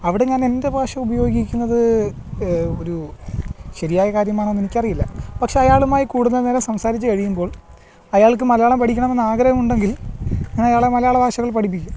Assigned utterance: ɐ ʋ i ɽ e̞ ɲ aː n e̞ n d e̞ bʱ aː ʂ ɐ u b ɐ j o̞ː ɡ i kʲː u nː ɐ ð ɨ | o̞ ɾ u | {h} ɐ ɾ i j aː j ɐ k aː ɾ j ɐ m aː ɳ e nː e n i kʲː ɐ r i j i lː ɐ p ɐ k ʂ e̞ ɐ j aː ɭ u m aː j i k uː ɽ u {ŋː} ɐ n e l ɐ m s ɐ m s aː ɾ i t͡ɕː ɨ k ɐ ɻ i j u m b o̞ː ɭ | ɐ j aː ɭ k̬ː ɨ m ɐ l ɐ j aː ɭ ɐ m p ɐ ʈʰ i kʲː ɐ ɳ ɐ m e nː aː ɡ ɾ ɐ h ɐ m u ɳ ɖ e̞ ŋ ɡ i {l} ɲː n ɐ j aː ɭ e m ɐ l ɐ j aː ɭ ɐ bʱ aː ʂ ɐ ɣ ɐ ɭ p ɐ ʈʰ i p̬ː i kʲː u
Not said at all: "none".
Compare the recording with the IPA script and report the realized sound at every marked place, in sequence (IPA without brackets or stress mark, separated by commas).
ɕ, nː, l